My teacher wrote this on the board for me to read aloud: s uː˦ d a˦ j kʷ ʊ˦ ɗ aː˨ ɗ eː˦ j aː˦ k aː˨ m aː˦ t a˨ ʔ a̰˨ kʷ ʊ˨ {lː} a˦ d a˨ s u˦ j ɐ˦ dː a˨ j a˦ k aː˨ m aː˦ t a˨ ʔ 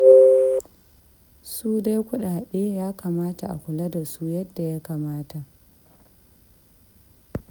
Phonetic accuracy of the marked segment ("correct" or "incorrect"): incorrect